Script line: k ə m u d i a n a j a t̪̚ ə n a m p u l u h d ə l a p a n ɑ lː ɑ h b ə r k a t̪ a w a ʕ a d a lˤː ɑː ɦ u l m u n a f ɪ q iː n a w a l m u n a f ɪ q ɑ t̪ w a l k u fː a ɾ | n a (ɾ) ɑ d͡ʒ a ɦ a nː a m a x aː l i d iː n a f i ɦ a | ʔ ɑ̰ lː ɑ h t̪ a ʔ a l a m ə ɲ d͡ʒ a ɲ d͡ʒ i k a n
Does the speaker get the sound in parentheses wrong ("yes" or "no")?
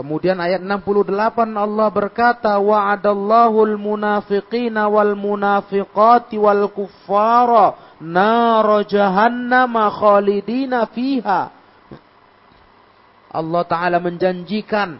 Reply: no